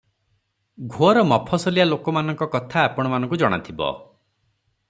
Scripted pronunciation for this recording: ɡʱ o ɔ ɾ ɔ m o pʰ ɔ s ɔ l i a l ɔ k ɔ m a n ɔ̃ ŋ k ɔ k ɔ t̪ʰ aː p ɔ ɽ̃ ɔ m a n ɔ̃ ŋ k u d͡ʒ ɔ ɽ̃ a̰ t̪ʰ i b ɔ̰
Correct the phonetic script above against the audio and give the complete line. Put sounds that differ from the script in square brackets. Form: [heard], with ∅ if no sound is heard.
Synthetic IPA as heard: ɡʱ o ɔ ɾ ɔ m [ɔ] pʰ ɔ s ɔ l i a l [o] k ɔ m a n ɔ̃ ŋ k ɔ k ɔ t̪ʰ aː p ɔ ɽ̃ ɔ m a n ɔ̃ ŋ k u d͡ʒ ɔ ɽ̃ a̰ t̪ʰ i b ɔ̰

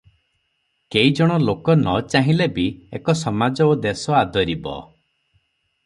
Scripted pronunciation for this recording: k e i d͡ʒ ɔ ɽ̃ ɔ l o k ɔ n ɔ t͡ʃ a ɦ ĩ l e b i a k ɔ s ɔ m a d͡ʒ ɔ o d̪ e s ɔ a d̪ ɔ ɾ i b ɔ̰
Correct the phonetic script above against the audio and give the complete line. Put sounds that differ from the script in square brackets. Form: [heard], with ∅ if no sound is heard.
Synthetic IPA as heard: k e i d͡ʒ ɔ ɽ̃ ɔ l o k ɔ n ɔ t͡ʃ a ɦ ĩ l e b i [e] k ɔ s ɔ m a d͡ʒ ɔ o d̪ e s ɔ a d̪ ɔ ɾ i b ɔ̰

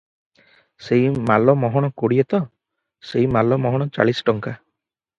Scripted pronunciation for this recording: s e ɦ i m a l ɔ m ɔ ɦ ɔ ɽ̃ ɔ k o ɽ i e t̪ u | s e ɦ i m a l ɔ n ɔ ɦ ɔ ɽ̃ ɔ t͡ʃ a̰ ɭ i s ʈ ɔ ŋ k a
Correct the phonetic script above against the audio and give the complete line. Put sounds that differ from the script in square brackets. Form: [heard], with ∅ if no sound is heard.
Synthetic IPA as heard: s e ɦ i m a l ɔ m ɔ ɦ ɔ ɽ̃ ɔ k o ɽ i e t̪ [ɔ] | s e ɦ i m a l ɔ [m] ɔ ɦ ɔ ɽ̃ ɔ t͡ʃ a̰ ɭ i s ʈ ɔ ŋ k a

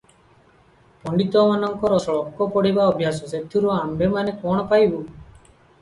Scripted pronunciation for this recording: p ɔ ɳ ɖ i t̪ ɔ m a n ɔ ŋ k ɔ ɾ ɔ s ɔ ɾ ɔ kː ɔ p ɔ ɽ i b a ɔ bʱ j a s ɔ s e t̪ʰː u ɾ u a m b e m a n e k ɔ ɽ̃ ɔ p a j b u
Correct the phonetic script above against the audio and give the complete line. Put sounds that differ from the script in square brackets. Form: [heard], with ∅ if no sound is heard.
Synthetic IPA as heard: p ɔ ɳ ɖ i t̪ ɔ m a n ɔ ŋ k ɔ ɾ ɔ s ɔ [ɭ] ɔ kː ɔ p ɔ ɽ i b a ɔ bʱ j a s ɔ s e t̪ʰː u ɾ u a m b e m a n e k ɔ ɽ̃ ɔ p a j b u

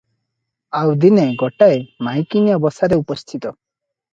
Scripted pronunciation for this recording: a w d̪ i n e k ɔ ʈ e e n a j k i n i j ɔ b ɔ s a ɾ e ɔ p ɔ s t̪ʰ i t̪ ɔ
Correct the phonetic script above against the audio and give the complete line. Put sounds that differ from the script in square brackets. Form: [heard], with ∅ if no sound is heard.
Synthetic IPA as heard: a w d̪ i n e [ɡ] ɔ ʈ [a] e [m] a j k i n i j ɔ b ɔ s a ɾ e [u] p ɔ s t̪ʰ i t̪ ɔ

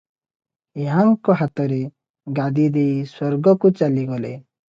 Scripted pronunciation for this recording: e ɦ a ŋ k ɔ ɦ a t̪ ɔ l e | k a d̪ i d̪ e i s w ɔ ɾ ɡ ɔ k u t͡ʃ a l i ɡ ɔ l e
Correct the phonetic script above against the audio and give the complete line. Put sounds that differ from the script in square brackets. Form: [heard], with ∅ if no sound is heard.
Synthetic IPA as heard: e ɦ a ŋ k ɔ ɦ a t̪ ɔ [ɾ] e | [ɡ] a d̪ i d̪ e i s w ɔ ɾ ɡ ɔ k u t͡ʃ a l i ɡ ɔ l e

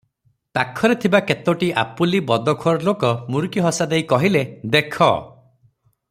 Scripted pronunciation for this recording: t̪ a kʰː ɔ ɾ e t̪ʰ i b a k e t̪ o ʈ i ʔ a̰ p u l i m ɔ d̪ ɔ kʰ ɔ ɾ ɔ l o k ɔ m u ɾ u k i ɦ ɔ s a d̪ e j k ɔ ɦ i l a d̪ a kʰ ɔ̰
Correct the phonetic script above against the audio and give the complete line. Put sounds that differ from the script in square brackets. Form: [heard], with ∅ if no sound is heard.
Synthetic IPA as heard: t̪ a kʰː ɔ ɾ e t̪ʰ i b a k e t̪ o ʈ i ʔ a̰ p u l i [b] ɔ d̪ ɔ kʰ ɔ ɾ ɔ l o k ɔ m u ɾ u k i ɦ ɔ s a d̪ e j k ɔ ɦ i l [e] d̪ [e] kʰ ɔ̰

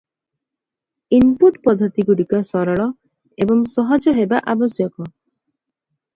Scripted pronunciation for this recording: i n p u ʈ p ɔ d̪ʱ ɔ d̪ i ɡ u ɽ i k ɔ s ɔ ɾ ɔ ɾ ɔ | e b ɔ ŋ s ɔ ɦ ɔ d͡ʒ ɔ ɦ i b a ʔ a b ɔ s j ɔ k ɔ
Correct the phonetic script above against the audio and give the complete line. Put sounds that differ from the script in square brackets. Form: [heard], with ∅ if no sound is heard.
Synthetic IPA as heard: i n p u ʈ p ɔ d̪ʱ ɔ [t̪] i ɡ u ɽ i k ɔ s ɔ ɾ ɔ [ɭ] ɔ | e b ɔ ŋ s ɔ ɦ ɔ d͡ʒ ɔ ɦ [e] b a ʔ a b ɔ s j ɔ k ɔ

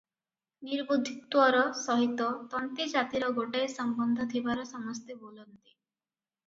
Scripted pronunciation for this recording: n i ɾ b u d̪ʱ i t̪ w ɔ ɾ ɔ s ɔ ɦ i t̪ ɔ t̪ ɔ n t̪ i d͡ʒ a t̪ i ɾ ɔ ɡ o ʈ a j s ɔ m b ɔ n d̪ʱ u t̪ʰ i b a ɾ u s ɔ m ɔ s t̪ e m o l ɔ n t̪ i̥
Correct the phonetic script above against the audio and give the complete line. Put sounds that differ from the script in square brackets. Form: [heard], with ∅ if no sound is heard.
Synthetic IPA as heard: n i ɾ b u d̪ʱ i t̪ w ɔ ɾ ɔ s ɔ ɦ i t̪ ɔ t̪ ɔ n t̪ i d͡ʒ a t̪ i ɾ ɔ ɡ o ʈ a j s ɔ m b ɔ n d̪ʱ [ɔ] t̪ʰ i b a ɾ [ɔ] s ɔ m ɔ s t̪ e [b] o l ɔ n t̪ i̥

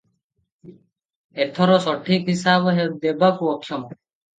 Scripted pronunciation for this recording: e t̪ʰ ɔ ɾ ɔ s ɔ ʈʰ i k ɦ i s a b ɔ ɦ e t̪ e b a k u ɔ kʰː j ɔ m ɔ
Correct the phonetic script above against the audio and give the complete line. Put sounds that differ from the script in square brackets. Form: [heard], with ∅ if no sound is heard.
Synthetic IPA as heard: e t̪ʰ ɔ ɾ ɔ s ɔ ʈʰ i k ɦ i s a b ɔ ɦ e [d̪] e b a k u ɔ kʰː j ɔ m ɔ

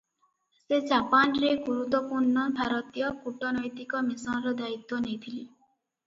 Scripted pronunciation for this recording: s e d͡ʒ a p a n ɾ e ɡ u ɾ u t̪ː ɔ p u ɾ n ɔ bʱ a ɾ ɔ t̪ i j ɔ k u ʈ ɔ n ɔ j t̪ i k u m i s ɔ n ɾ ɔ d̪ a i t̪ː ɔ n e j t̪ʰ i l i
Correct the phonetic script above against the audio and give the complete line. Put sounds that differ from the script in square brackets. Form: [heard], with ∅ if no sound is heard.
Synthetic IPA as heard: s e d͡ʒ a p a n ɾ e ɡ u ɾ u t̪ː ɔ p u ɾ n ɔ bʱ a ɾ ɔ t̪ i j ɔ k u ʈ ɔ n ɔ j t̪ i k [ɔ] m i s ɔ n ɾ ɔ d̪ a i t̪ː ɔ n e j t̪ʰ i l i

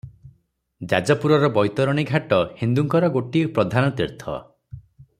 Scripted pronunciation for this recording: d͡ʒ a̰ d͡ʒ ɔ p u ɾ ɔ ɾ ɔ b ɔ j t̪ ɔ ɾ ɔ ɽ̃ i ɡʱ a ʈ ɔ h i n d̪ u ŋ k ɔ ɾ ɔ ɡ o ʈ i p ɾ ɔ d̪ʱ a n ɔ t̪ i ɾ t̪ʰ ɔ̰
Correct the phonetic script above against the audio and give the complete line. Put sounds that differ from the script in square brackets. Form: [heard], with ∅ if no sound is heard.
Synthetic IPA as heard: d͡ʒ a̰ d͡ʒ ɔ p u ɾ ɔ ɾ ɔ b ɔ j t̪ ɔ ɾ ɔ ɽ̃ i ɡʱ a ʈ ɔ h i n d̪ u ŋ k ɔ ɾ ɔ ɡ o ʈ i p ɾ ɔ d̪ʱ a n ɔ t̪ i ɾ t̪ʰ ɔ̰

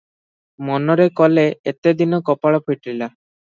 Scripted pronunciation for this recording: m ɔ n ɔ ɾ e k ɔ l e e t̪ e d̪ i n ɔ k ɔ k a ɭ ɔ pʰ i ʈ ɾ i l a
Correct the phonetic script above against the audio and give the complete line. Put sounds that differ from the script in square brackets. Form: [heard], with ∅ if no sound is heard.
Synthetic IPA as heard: m ɔ n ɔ ɾ e k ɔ l e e t̪ e d̪ i n ɔ k ɔ [p] a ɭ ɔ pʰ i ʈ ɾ i l a

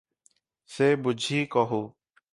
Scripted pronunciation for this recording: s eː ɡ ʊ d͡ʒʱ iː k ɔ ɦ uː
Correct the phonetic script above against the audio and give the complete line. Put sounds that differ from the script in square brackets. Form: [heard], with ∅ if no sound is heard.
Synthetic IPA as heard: s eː [b] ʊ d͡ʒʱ iː k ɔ ɦ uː

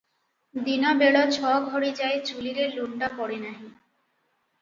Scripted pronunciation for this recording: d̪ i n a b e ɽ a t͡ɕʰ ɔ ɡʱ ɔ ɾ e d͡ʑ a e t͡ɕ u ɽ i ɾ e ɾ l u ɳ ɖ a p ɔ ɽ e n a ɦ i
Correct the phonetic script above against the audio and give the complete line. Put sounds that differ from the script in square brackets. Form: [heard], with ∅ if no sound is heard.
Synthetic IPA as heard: d̪ i n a b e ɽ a t͡ɕʰ ɔ ɡʱ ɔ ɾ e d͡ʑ a e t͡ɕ u [l] i ɾ e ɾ l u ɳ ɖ a p ɔ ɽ e n a ɦ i

